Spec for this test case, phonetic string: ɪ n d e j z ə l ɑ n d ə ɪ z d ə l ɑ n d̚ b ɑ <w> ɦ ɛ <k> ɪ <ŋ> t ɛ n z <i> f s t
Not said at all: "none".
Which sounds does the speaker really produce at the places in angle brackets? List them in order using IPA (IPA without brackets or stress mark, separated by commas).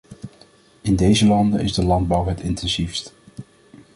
w, t, n, i